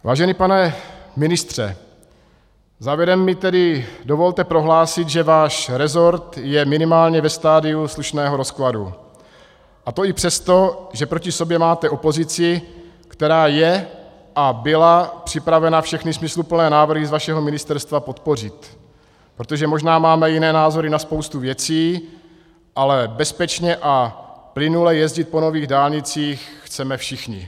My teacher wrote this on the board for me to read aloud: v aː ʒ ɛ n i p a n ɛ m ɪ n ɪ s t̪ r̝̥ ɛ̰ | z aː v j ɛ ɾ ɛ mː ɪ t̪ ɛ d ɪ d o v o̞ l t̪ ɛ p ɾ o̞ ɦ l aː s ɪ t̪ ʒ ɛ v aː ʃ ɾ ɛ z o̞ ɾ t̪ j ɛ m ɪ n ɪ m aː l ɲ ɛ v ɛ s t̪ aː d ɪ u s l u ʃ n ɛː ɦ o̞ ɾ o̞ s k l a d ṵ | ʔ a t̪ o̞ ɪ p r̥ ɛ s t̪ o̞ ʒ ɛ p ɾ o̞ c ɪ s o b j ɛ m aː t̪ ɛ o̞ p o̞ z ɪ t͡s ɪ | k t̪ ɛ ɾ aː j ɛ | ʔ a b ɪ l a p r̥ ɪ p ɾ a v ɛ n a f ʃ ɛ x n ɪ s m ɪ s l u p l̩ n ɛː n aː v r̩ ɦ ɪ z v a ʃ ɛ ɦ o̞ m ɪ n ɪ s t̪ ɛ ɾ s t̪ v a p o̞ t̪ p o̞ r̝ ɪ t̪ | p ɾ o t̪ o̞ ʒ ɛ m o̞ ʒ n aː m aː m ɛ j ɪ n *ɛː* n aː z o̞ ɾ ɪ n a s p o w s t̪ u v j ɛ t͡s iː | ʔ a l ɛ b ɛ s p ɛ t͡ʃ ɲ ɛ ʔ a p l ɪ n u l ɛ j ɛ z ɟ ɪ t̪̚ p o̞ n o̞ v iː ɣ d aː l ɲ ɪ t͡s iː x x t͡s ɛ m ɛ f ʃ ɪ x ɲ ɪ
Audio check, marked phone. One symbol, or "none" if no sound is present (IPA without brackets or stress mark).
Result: ɛː